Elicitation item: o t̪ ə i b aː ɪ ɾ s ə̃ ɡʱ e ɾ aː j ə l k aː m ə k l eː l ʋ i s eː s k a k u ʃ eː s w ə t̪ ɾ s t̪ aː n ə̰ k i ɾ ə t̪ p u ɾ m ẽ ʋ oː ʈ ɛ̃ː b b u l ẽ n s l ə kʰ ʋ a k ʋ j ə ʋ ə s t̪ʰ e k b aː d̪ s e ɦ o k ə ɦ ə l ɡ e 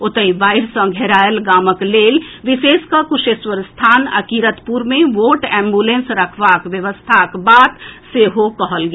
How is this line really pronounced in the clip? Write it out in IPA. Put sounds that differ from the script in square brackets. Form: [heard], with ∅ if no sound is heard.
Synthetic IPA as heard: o t̪ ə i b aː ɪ ɾ s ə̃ ɡʱ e ɾ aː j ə l [ɡ] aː m ə k l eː l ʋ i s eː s k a k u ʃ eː s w ə [∅] ɾ s [t̪ʰ] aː n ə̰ k i ɾ ə t̪ p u ɾ m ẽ ʋ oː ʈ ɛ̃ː [m] b u l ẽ n s [ɾ] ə kʰ ʋ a k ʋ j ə ʋ ə s t̪ʰ [a] k b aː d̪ s e ɦ o k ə ɦ ə l ɡ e